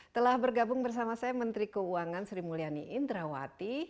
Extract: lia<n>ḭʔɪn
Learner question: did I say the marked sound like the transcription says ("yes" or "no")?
yes